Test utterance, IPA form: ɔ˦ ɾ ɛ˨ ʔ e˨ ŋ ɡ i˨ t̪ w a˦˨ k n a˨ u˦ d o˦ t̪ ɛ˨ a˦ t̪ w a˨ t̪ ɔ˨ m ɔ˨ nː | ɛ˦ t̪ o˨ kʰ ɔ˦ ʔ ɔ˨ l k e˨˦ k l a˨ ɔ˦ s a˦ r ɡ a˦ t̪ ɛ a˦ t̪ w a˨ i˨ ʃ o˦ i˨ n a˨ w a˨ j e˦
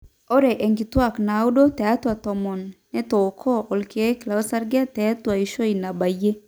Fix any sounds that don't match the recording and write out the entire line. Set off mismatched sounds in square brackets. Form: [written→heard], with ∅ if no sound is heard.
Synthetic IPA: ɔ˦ ɾ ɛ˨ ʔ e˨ ŋ ɡ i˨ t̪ w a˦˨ k n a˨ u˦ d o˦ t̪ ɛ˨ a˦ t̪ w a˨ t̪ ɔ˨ m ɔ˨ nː | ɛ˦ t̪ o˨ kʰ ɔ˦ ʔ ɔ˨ l k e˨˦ k l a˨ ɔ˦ s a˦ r ɡ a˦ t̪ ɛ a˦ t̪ w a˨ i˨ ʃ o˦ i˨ n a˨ [w→b] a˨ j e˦